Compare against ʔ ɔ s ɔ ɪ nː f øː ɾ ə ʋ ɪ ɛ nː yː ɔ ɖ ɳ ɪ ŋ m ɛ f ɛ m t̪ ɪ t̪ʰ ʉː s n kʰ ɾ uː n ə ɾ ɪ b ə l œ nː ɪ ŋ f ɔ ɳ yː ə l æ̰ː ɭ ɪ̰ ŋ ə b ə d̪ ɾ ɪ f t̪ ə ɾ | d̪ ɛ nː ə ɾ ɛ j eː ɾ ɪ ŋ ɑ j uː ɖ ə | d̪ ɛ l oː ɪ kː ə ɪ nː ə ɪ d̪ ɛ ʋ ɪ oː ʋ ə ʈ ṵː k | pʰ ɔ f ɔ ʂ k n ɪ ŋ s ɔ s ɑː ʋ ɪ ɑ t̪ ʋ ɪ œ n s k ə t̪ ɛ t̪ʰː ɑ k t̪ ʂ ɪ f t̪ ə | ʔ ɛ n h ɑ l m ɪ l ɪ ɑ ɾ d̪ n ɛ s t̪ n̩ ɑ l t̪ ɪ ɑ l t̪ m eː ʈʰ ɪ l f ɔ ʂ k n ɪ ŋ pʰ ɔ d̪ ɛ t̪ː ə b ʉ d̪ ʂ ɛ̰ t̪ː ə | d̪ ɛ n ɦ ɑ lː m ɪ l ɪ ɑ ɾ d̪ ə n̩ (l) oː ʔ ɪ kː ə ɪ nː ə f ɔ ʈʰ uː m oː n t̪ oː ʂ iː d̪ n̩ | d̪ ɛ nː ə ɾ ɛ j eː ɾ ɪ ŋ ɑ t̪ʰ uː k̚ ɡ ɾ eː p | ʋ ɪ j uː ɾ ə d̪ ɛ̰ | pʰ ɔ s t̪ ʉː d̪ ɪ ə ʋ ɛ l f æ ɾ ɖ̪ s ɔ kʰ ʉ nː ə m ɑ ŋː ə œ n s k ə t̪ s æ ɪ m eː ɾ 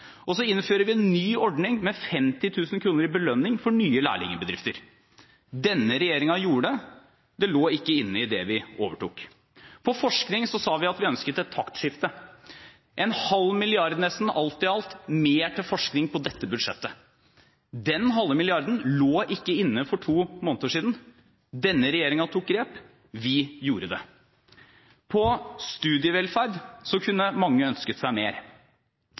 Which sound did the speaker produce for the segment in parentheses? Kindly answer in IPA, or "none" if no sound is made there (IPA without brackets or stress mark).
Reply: l